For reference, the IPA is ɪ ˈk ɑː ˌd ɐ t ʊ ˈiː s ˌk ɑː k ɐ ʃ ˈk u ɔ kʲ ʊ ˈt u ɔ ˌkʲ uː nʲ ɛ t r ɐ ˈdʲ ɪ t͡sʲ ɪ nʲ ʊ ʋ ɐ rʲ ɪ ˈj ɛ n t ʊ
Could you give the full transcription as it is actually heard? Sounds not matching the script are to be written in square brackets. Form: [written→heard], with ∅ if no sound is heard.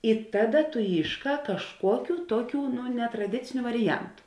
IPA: ɪ [ˈk→ˈt] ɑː ˌd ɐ t ʊ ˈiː [s→ʃ] ˌk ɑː k ɐ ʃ ˈk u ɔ kʲ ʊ ˈt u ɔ ˌkʲ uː nʲ ɛ t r ɐ ˈdʲ ɪ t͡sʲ ɪ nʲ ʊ ʋ ɐ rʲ ɪ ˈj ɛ n t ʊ